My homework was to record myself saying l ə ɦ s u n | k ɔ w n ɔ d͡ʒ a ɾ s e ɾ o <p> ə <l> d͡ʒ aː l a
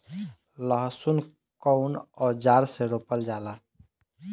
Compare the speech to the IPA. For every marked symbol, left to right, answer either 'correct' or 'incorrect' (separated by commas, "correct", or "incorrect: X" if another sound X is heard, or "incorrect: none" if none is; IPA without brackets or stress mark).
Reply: correct, correct